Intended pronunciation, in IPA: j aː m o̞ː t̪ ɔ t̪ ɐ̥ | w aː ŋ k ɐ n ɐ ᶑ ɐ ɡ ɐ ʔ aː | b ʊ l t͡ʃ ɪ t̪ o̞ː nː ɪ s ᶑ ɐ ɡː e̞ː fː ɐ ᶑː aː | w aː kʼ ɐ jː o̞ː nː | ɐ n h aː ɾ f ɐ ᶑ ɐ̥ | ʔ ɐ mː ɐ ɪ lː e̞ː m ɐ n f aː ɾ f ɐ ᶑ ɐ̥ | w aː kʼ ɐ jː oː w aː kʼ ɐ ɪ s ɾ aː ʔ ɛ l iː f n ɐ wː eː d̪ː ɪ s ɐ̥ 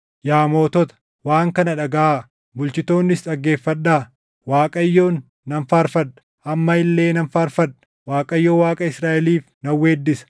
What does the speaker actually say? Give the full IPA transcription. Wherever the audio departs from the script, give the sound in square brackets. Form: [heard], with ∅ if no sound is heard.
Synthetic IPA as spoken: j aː m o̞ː t̪ ɔ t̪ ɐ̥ | w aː ŋ k ɐ n ɐ ᶑ ɐ ɡ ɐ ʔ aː | b ʊ l t͡ʃ ɪ t̪ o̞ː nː ɪ s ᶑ ɐ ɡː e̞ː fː ɐ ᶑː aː | w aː kʼ ɐ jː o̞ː nː | ɐ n [f] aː ɾ f ɐ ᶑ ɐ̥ | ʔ ɐ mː ɐ ɪ lː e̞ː [n] ɐ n f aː ɾ f ɐ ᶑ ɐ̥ | w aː kʼ ɐ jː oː w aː kʼ ɐ ɪ s ɾ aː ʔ ɛ l iː f n ɐ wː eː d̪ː ɪ s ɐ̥